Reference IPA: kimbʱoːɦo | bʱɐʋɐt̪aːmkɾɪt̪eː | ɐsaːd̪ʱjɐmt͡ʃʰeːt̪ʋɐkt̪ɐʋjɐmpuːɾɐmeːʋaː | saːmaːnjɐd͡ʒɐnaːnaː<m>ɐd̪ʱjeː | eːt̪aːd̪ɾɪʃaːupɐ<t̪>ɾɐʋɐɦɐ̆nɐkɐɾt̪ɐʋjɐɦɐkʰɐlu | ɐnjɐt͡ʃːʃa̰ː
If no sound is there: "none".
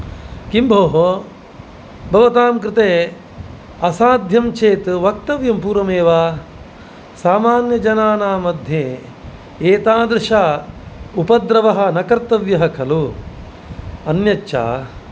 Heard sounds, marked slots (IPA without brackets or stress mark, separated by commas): m, d̪